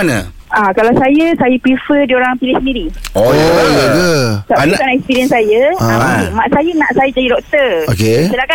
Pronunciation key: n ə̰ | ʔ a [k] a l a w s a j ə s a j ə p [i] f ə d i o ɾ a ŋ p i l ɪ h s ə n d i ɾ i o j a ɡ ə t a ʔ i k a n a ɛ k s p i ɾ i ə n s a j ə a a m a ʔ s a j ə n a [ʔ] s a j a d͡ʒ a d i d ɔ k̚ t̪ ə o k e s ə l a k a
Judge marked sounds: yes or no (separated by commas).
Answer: yes, yes, yes